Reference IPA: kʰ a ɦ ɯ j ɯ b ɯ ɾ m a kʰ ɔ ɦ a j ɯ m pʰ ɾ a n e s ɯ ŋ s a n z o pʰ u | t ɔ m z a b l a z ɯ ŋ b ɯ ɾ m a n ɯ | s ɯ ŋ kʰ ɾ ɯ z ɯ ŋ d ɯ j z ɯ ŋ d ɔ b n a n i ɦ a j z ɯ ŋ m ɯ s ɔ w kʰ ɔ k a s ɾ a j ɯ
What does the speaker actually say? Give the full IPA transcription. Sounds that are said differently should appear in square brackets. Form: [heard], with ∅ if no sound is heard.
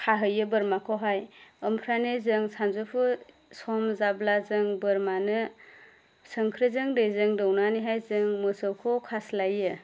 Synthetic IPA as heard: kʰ a ɦ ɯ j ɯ b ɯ ɾ m a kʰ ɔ ɦ a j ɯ m pʰ ɾ a n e [z] ɯ ŋ s a n z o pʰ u | [s] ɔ m z a b l a z ɯ ŋ b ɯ ɾ m a n ɯ | s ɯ ŋ kʰ ɾ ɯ z ɯ ŋ d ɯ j z ɯ ŋ d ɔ [w] n a n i ɦ a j z ɯ ŋ m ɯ s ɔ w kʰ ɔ [kʰ] a s [l] a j ɯ